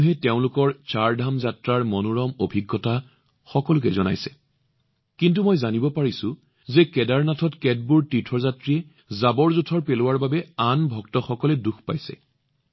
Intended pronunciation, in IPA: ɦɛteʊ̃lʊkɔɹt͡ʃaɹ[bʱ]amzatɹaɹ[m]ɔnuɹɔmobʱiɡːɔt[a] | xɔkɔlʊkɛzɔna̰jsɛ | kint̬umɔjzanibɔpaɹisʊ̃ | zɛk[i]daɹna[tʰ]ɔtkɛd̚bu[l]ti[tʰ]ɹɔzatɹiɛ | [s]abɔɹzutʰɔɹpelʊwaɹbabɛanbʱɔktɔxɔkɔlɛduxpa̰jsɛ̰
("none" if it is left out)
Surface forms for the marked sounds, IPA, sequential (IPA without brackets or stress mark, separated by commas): dʱ, m, a, ɛ, tʰ, ɹ, tʰ, z